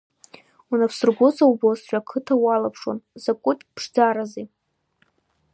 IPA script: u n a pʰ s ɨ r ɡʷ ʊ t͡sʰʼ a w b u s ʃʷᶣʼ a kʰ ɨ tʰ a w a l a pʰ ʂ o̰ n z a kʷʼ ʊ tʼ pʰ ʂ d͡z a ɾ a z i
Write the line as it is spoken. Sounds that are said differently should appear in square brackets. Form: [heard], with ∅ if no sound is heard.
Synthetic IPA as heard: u n a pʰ s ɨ r ɡʷ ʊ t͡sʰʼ a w b [o] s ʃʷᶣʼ a kʰ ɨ tʰ a w a l a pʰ ʂ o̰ n z a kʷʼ ʊ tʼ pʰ ʂ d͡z a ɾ a z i